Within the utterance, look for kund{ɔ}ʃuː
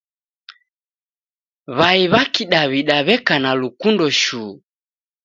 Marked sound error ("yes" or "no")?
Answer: no